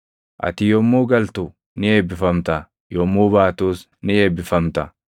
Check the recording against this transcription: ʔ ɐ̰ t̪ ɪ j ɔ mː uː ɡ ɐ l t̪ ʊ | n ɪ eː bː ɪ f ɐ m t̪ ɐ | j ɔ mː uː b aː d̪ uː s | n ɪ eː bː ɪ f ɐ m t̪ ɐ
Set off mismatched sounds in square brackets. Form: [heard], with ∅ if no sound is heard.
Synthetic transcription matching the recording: ʔ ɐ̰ t̪ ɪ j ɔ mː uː ɡ ɐ l t̪ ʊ | n ɪ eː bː ɪ f ɐ m t̪ ɐ | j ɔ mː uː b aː [t̪] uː s | n ɪ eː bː ɪ f ɐ m t̪ ɐ